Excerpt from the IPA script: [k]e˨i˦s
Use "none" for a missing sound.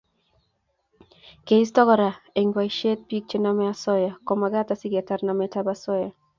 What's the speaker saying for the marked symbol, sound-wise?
k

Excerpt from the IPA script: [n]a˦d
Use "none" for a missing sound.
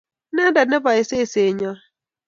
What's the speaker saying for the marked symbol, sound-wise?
n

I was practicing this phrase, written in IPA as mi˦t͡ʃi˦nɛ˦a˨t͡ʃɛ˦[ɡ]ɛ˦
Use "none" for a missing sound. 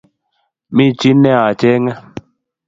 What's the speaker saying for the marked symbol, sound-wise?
ŋ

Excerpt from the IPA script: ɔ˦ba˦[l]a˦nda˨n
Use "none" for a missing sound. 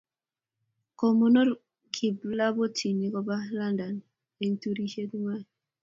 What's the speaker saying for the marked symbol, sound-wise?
l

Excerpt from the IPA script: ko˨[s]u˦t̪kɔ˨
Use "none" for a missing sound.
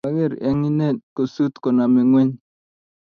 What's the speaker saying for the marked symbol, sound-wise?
s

